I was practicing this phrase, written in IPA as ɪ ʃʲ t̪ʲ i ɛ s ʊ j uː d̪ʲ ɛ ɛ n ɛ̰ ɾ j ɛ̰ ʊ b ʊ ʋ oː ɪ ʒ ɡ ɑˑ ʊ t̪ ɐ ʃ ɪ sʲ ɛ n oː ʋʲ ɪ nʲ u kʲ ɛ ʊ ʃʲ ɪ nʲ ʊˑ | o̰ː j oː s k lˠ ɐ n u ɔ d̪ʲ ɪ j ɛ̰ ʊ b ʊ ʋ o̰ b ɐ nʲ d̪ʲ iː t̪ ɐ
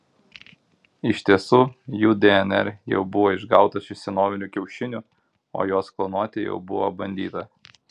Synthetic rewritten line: ɪ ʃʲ t̪ʲ i ɛ s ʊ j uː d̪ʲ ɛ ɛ n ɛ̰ ɾ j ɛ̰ ʊ b ʊ ʋ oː ɪ ʒ ɡ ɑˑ ʊ t̪ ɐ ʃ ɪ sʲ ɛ n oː ʋʲ ɪ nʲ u kʲ ɛ ʊ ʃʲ ɪ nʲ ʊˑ | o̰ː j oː s k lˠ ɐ n u ɔ t̪ʲ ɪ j ɛ̰ ʊ b ʊ ʋ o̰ b ɐ nʲ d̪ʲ iː t̪ ɐ